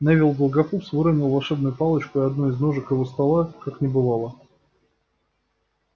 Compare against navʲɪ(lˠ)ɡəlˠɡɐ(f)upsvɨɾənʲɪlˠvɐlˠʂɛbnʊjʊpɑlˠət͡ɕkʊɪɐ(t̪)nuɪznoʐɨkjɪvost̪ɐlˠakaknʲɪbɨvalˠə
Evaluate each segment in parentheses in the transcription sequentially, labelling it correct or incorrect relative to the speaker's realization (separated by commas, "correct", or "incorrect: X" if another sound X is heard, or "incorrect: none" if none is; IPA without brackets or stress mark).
correct, correct, incorrect: d̪